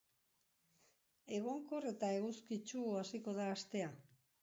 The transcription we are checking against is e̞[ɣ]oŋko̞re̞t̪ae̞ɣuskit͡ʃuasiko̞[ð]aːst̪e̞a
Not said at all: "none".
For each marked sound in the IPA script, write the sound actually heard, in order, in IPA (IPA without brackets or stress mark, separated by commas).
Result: ɣ, ð